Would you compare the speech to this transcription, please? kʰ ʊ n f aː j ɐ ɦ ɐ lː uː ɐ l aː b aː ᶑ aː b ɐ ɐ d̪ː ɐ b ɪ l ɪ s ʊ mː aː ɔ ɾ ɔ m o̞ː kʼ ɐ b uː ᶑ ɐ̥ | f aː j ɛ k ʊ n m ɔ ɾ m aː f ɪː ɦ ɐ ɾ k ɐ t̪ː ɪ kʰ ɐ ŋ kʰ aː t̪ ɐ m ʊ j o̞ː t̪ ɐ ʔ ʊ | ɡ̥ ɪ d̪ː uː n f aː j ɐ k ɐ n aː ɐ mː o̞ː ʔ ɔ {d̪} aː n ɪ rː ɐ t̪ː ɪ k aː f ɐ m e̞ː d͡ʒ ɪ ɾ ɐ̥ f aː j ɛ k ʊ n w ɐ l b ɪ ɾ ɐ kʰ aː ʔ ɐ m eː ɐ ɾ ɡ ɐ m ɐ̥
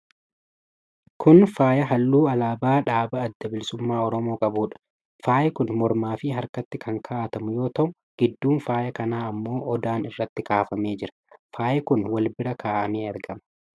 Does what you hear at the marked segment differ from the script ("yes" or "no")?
no